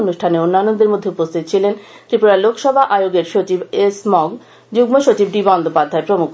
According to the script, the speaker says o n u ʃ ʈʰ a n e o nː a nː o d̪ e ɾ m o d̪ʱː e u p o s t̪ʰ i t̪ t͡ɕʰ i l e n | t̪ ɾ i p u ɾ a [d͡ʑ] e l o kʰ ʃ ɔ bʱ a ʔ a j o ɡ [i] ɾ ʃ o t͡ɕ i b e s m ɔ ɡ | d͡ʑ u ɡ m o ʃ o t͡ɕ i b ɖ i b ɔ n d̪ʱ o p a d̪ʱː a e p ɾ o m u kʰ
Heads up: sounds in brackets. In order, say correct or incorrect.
incorrect: none, incorrect: e

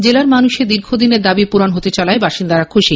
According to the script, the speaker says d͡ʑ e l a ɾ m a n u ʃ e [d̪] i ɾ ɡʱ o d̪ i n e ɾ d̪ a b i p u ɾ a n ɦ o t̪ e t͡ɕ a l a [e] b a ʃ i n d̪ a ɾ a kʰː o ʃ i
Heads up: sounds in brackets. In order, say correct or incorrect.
correct, correct

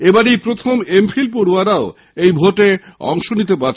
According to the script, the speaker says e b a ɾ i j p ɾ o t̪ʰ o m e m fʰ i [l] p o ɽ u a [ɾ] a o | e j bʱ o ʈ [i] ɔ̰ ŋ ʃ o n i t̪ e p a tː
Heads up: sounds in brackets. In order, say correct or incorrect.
correct, correct, incorrect: e

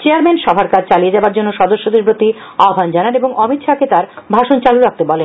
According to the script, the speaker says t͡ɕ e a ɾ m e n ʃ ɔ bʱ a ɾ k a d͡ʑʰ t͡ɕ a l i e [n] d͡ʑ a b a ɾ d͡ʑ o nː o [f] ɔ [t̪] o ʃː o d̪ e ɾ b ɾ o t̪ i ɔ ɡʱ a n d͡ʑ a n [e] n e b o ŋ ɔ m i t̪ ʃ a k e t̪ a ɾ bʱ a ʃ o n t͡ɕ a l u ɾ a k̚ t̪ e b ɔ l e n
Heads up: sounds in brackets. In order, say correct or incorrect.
incorrect: none, incorrect: ʃ, incorrect: d̪, incorrect: a

